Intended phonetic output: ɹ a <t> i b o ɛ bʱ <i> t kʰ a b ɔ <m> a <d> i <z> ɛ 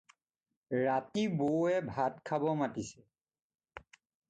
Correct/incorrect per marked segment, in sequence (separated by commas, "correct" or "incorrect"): correct, incorrect, correct, incorrect, incorrect